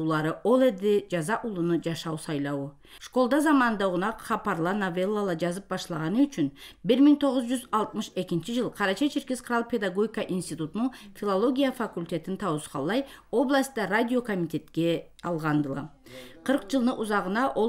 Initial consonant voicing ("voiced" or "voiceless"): voiced